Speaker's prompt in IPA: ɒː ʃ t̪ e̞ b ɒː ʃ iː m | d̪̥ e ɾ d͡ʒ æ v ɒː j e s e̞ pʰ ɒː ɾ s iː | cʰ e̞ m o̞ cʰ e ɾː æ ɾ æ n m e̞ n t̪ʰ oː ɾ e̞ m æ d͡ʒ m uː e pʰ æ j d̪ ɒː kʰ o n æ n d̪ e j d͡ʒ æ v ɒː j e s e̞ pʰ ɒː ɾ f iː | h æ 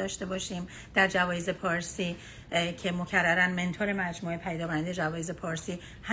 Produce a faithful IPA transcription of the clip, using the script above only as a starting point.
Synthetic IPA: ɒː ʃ t̪ e̞ b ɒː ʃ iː m | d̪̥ æ ɾ d͡ʒ æ v ɒː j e z e̞ pʰ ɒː ɾ s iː | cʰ e̞ m o̞ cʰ æ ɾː æ ɾ æ n m e̞ n t̪ʰ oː ɾ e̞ m æ d͡ʒ m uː e pʰ æ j d̪ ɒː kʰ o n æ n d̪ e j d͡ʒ æ v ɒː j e z e̞ pʰ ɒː ɾ s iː | h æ